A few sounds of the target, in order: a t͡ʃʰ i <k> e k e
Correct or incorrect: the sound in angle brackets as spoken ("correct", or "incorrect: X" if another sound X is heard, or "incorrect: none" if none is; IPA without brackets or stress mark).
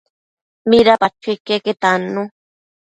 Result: correct